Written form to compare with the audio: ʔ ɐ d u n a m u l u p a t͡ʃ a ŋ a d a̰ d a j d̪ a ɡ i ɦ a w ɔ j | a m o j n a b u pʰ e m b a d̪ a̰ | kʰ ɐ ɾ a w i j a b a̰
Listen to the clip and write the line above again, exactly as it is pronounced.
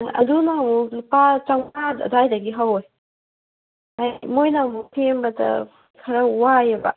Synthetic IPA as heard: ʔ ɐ d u n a m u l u p a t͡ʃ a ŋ a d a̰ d a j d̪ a ɡ i ɦ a w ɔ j | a m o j n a m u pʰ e m b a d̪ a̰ | kʰ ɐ ɾ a w a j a b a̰